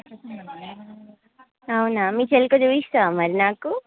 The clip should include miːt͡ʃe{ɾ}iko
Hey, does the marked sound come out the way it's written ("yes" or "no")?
no